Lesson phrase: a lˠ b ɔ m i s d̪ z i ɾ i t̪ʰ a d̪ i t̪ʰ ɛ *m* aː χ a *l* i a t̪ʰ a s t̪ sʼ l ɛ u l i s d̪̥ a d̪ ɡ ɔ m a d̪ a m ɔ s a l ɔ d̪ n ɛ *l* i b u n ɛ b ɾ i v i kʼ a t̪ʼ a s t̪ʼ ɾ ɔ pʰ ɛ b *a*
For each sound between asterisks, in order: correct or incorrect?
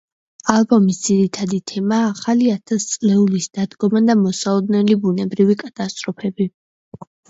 correct, correct, correct, incorrect: i

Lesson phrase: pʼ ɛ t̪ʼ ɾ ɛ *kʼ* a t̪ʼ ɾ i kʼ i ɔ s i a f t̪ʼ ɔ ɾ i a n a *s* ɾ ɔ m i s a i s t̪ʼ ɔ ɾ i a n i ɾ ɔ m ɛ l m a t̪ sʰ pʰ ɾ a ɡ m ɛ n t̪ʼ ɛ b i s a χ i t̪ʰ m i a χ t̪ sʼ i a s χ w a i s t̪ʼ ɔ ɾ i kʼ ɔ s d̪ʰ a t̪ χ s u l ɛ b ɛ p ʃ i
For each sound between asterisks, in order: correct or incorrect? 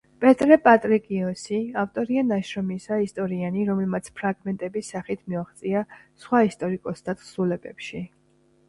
incorrect: pʼ, incorrect: ʃ

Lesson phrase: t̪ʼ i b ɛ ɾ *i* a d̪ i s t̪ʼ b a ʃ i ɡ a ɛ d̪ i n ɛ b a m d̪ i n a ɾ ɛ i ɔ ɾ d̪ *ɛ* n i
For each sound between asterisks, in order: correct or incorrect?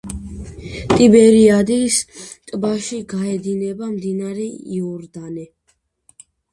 correct, incorrect: a

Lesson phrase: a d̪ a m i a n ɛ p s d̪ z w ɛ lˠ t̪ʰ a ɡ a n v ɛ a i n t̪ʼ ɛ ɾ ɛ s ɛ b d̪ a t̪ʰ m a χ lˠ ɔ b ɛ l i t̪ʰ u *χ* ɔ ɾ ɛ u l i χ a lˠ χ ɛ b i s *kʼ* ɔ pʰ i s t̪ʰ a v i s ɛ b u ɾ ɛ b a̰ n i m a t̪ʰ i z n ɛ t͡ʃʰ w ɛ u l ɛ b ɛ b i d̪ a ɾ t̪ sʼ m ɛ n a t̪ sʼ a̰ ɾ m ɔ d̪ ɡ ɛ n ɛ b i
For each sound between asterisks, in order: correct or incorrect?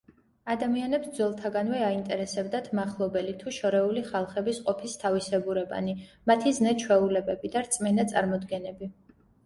incorrect: ʃ, incorrect: qʼ

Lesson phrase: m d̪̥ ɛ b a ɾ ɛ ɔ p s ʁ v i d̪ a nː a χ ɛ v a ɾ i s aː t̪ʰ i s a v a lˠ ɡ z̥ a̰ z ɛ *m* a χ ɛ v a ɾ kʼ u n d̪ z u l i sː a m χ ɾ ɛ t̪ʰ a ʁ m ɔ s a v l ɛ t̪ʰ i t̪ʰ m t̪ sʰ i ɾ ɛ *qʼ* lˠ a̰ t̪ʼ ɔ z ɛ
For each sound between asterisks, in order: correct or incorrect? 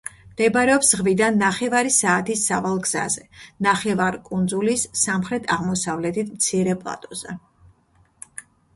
incorrect: n, incorrect: pʼ

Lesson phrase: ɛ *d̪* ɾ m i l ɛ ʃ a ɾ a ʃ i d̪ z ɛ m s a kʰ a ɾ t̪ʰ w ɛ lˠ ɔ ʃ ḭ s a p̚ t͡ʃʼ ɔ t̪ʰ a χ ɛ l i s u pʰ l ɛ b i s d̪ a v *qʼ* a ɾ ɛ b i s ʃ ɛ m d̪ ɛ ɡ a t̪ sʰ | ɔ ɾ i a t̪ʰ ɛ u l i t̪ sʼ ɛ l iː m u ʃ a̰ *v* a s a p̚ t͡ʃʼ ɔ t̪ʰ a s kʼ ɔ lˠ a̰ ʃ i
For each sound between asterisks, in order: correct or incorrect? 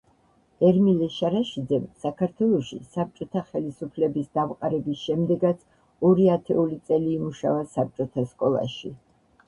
incorrect: none, correct, correct

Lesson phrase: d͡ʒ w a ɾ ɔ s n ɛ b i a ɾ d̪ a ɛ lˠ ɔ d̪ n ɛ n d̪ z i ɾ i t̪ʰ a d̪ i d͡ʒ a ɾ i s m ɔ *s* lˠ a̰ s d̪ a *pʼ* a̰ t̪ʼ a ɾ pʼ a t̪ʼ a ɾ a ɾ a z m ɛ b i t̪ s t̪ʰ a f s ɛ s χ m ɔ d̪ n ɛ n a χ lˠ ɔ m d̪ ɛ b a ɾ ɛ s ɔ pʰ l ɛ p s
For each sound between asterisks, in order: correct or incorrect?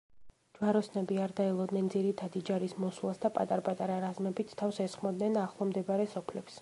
correct, correct

